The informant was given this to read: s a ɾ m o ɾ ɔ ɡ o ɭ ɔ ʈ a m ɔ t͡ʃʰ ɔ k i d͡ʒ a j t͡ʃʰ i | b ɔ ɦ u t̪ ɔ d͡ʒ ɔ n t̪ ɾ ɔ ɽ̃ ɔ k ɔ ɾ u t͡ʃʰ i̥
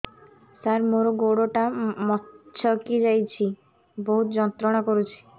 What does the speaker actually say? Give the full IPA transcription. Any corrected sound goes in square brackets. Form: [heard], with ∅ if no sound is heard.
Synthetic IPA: s a ɾ m o ɾ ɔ ɡ o [ɽ] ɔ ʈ a m ɔ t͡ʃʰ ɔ k i d͡ʒ a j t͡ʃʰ i | b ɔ ɦ u t̪ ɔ d͡ʒ ɔ n t̪ ɾ ɔ ɽ̃ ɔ k ɔ ɾ u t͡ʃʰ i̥